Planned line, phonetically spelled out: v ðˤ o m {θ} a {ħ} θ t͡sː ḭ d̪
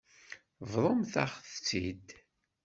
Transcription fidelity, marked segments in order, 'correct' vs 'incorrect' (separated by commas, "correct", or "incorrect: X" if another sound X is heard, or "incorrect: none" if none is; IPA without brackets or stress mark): correct, incorrect: χ